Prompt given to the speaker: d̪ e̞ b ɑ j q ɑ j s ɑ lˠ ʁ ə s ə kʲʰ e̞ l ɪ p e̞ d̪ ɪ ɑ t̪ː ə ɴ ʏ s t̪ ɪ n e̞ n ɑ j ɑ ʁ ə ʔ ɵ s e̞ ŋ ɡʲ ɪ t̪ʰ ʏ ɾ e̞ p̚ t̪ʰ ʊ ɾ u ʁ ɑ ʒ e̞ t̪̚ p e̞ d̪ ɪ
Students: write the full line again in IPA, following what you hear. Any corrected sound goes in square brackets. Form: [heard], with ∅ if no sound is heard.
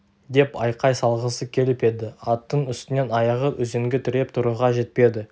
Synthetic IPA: d̪ e̞ [p] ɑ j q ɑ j s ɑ lˠ ʁ ə s ə kʲʰ e̞ l ɪ p e̞ d̪ ɪ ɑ t̪ː ə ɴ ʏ s t̪ ɪ n e̞ n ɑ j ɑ ʁ ə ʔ ɵ [z] e̞ ŋ ɡʲ ɪ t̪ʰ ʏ ɾ e̞ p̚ t̪ʰ ʊ ɾ u ʁ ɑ ʒ e̞ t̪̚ p e̞ d̪ ɪ